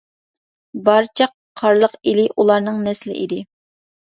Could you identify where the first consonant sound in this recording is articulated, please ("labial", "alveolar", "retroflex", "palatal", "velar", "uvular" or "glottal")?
labial